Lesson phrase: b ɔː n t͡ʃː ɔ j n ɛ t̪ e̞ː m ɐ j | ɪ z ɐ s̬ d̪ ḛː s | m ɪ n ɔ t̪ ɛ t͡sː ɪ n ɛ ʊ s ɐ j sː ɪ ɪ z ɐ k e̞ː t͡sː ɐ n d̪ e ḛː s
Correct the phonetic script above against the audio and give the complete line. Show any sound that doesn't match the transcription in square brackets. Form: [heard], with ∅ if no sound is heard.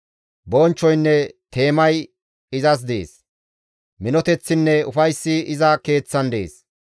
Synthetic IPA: b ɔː n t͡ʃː ɔ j [nː] ɛ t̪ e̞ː m ɐ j | ɪ z ɐ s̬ d̪ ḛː s | m ɪ n ɔ t̪ ɛ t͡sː ɪ [nː] ɛ ʊ [f] ɐ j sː ɪ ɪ z ɐ k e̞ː t͡sː ɐ n d̪ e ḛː s

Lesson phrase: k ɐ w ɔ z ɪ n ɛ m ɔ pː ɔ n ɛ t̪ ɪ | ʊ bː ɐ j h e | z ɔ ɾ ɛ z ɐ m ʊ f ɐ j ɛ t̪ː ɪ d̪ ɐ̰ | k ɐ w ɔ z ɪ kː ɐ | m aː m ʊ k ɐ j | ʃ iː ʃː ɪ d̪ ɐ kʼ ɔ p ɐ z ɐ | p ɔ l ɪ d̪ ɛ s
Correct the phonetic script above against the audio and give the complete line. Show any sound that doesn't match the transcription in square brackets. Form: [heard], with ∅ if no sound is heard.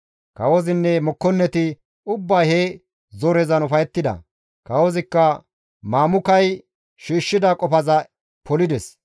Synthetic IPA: k ɐ w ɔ z ɪ [nː] ɛ m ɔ [kː] ɔ [nː] ɛ t̪ ɪ | ʊ bː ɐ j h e | z ɔ ɾ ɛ z ɐ [n] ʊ f ɐ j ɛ t̪ː ɪ d̪ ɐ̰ | k ɐ w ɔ z ɪ kː ɐ | m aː m ʊ k ɐ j | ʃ iː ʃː ɪ d̪ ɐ kʼ ɔ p ɐ z ɐ | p ɔ l ɪ d̪ ɛ s

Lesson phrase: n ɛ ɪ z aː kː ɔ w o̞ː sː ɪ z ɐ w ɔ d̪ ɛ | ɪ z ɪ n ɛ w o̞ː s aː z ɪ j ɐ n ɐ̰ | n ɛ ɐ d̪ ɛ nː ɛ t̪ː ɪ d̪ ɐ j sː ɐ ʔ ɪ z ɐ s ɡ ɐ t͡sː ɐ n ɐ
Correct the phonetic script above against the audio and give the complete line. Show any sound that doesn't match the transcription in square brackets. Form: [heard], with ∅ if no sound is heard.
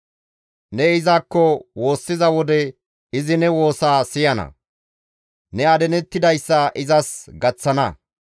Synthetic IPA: n ɛ ɪ z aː kː ɔ w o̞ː sː ɪ z ɐ w ɔ d̪ ɛ | ɪ z ɪ n ɛ w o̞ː s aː [s] ɪ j ɐ n ɐ̰ | n ɛ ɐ d̪ ɛ [n] ɛ t̪ː ɪ d̪ ɐ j sː ɐ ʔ ɪ z ɐ s ɡ ɐ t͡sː ɐ n ɐ

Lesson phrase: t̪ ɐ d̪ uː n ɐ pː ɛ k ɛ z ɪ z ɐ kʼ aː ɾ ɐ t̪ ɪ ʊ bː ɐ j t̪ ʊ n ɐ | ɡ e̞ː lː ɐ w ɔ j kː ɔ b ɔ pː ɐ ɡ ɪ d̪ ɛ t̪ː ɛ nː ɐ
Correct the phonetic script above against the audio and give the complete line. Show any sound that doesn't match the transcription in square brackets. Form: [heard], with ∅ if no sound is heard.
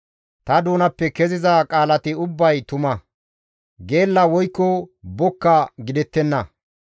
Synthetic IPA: t̪ ɐ d̪ uː n ɐ pː ɛ k ɛ z ɪ z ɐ kʼ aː [l] ɐ t̪ ɪ ʊ bː ɐ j t̪ ʊ [m] ɐ | ɡ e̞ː lː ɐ w ɔ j kː ɔ b ɔ [kː] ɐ ɡ ɪ d̪ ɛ t̪ː ɛ nː ɐ

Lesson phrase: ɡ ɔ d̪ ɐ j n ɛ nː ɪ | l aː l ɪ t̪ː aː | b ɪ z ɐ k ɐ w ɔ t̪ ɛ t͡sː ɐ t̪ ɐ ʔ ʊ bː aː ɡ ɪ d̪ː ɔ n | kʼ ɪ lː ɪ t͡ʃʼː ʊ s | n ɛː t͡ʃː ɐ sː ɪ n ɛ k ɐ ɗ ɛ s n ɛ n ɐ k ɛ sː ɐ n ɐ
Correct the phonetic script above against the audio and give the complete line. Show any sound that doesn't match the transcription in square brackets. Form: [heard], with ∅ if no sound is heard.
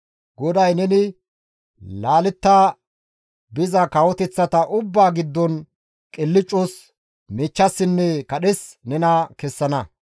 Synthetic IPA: ɡ ɔ d̪ ɐ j n ɛ [n] ɪ | l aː l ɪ t̪ː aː | b ɪ z ɐ k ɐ w ɔ t̪ ɛ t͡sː ɐ t̪ ɐ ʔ ʊ bː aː ɡ ɪ d̪ː ɔ n | kʼ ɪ lː ɪ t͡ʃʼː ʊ s | [m] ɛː t͡ʃː ɐ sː ɪ [nː] ɛ k ɐ ɗ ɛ s n ɛ n ɐ k ɛ sː ɐ n ɐ

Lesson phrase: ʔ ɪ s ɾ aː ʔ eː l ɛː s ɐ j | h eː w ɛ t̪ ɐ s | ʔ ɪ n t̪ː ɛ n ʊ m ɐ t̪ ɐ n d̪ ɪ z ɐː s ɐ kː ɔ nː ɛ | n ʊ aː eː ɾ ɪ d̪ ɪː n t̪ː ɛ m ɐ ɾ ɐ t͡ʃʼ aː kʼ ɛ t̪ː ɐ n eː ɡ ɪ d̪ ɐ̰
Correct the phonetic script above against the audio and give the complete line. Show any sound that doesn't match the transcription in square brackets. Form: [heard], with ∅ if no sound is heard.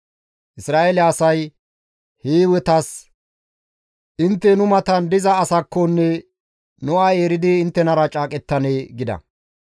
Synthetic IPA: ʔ ɪ s ɾ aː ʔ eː l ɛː s ɐ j | h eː w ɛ t̪ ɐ s | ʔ ɪ n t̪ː ɛ n ʊ m ɐ t̪ ɐ n d̪ ɪ z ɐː s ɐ kː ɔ nː ɛ | n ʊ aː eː ɾ ɪ d̪ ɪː n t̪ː ɛ [n] ɐ ɾ ɐ t͡ʃʼ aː kʼ ɛ t̪ː ɐ n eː ɡ ɪ d̪ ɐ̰

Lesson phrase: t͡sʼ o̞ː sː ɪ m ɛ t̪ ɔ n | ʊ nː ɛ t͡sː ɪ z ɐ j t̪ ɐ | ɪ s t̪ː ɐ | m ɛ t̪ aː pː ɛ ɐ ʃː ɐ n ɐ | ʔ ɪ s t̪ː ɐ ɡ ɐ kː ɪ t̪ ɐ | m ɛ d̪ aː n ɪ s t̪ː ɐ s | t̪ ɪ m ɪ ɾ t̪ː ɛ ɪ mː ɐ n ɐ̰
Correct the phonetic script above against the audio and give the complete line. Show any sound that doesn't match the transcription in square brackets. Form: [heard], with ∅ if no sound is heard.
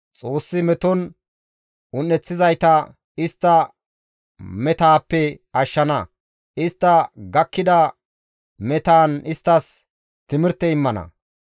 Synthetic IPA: t͡sʼ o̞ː sː ɪ m ɛ t̪ ɔ n | ʊ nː ɛ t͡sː ɪ z ɐ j t̪ ɐ | ɪ s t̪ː ɐ | m ɛ t̪ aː pː ɛ ɐ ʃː ɐ n ɐ | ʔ ɪ s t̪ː ɐ ɡ ɐ kː ɪ [d̪] ɐ | m ɛ [t̪] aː n ɪ s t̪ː ɐ s | t̪ ɪ m ɪ ɾ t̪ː ɛ ɪ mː ɐ n ɐ̰

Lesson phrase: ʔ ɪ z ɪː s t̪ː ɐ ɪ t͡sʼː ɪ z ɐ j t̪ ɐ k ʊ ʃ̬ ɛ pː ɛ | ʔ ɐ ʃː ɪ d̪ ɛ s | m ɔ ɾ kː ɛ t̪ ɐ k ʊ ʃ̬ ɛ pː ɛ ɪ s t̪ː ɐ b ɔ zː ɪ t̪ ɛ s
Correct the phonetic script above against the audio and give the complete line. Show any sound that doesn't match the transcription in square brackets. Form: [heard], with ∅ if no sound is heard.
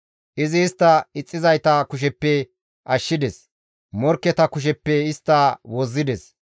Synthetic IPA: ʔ ɪ z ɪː s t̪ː ɐ ɪ t͡sʼː ɪ z ɐ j t̪ ɐ k ʊ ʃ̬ ɛ pː ɛ | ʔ ɐ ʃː ɪ d̪ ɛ s | m ɔ ɾ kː ɛ t̪ ɐ k ʊ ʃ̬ ɛ pː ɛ ɪ s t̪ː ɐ [w] ɔ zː ɪ [d̪] ɛ s

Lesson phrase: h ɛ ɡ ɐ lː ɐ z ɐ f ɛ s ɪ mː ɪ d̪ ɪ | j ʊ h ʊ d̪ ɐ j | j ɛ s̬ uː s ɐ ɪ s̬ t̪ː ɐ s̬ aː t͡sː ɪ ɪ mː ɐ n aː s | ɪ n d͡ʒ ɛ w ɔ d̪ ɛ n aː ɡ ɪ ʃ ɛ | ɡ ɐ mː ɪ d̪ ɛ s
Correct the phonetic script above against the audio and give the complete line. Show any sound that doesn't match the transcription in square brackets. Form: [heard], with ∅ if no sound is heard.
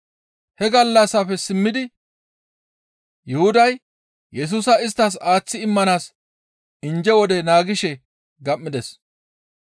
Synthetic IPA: h ɛ ɡ ɐ lː ɐ [s] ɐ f ɛ s ɪ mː ɪ d̪ ɪ | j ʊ h ʊ d̪ ɐ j | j ɛ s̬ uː s ɐ ɪ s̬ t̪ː ɐ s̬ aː t͡sː ɪ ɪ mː ɐ n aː s | ɪ n d͡ʒ ɛ w ɔ d̪ ɛ n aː ɡ ɪ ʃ ɛ | ɡ ɐ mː ɪ d̪ ɛ s

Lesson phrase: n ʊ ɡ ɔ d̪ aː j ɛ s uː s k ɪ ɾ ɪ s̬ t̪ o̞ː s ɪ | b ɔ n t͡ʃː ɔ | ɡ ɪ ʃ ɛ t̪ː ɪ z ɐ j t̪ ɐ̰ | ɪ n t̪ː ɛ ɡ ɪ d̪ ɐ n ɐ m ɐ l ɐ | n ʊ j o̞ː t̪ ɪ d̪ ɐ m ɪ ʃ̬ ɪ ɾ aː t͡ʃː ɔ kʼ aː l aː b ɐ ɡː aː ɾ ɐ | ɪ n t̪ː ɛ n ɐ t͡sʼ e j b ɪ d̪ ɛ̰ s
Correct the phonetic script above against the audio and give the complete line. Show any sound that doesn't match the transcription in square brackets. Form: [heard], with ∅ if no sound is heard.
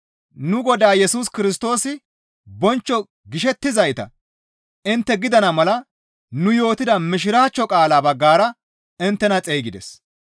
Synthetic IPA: n ʊ ɡ ɔ d̪ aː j ɛ s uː s k ɪ ɾ ɪ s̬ t̪ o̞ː s ɪ | b ɔ n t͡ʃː ɔ | ɡ ɪ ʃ ɛ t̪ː ɪ z ɐ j t̪ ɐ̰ | ɪ n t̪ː ɛ ɡ ɪ d̪ ɐ n ɐ m ɐ l ɐ | n ʊ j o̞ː t̪ ɪ d̪ ɐ m ɪ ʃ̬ ɪ ɾ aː t͡ʃː ɔ kʼ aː l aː b ɐ ɡː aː ɾ ɐ | ɪ n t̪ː ɛ n ɐ t͡sʼ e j [ɡ] ɪ d̪ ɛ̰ s

